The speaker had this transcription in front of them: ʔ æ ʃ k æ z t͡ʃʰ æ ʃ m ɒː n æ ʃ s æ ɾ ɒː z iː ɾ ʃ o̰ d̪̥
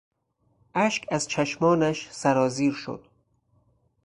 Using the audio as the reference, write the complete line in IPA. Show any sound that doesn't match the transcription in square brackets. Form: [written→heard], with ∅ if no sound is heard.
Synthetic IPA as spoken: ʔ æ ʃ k æ z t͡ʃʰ æ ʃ m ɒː n æ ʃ s æ ɾ ɒː z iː ɾ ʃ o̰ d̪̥

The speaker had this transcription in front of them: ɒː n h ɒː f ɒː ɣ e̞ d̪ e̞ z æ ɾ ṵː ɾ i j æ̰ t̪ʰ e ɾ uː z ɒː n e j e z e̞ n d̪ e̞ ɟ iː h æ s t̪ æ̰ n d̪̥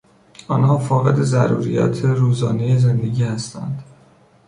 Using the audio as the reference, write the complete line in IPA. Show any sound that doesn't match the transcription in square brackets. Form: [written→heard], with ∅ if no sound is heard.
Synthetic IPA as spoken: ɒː n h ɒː f ɒː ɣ e̞ d̪ e̞ z æ ɾ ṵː ɾ i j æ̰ t̪ʰ e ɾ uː z ɒː n e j e z e̞ n d̪ e̞ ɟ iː h æ s t̪ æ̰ n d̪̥

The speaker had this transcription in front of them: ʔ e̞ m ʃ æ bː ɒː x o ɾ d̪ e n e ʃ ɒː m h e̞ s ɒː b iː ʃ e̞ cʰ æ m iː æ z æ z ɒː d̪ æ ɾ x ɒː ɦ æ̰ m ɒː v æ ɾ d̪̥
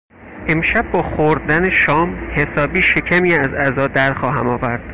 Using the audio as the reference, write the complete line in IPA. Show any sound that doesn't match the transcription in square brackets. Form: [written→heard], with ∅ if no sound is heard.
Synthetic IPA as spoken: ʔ e̞ m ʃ æ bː ɒː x o ɾ d̪ [e→æ] n e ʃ ɒː m h e̞ s ɒː b iː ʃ e̞ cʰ æ m iː æ z æ z ɒː d̪ æ ɾ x ɒː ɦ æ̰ m ɒː v æ ɾ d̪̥

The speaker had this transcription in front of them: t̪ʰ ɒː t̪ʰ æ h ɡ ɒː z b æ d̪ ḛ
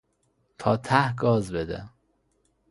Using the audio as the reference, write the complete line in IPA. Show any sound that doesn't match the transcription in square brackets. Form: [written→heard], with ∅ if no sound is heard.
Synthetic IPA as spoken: t̪ʰ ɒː t̪ʰ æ h ɡ ɒː z b [æ→e] d̪ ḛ

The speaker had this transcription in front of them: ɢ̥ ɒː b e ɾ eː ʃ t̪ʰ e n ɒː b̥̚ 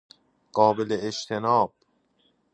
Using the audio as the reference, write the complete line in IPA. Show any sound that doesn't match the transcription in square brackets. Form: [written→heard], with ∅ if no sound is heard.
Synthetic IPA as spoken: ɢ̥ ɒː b e [ɾ→l] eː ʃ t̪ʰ e n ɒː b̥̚

